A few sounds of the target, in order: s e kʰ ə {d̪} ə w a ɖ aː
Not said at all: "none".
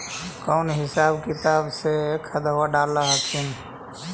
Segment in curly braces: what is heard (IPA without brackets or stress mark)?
d̪